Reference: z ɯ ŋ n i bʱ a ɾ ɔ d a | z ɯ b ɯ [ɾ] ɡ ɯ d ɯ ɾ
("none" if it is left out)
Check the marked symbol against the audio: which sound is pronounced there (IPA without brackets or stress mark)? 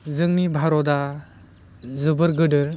ɾ